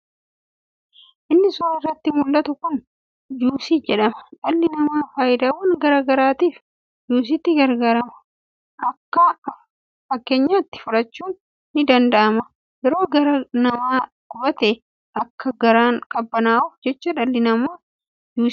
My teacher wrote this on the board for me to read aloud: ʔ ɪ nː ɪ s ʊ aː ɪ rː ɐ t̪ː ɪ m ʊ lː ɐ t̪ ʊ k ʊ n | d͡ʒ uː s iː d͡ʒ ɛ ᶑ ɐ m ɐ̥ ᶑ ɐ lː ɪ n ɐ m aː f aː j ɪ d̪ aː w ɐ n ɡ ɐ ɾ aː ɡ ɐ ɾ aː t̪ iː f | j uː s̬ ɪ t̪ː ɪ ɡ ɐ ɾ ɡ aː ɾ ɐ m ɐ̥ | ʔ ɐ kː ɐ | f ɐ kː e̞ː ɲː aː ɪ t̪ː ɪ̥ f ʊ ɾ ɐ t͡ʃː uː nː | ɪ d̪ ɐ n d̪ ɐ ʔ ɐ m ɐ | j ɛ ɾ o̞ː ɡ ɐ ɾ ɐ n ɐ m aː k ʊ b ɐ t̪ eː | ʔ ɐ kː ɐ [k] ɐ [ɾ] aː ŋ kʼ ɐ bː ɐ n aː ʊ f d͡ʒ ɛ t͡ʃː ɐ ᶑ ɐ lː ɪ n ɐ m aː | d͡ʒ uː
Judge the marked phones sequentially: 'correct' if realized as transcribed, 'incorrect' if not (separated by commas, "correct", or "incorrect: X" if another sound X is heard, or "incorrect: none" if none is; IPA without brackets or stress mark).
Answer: incorrect: ɡ, correct